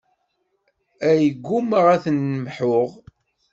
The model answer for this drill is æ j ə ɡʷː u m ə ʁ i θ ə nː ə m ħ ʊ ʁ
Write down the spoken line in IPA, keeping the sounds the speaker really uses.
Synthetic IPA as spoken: æ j ə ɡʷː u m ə ʁ æ θ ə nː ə m ħ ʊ ʁ